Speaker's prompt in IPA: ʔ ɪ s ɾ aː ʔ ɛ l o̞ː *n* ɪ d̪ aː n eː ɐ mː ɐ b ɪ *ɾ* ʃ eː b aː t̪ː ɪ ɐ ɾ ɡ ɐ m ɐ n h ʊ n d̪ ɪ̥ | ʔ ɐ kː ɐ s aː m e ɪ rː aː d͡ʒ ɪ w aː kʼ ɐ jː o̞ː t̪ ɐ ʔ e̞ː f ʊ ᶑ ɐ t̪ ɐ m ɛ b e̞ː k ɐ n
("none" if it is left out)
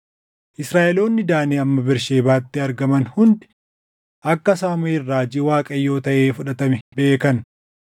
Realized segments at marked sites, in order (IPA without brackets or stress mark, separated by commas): nː, ɾ